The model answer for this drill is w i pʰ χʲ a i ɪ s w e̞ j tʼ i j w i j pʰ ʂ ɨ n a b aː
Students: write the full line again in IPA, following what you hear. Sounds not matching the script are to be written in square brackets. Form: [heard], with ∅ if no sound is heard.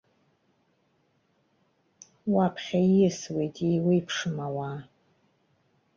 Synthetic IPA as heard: w [a] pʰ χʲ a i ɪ s w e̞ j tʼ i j w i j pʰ ʂ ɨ [m] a [w] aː